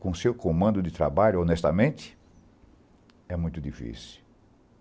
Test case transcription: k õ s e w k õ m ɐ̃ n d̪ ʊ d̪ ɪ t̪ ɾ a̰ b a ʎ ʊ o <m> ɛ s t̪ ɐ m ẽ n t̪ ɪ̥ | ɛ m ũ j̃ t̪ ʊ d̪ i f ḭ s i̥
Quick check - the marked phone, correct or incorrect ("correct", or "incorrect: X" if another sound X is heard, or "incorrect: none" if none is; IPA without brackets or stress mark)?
incorrect: n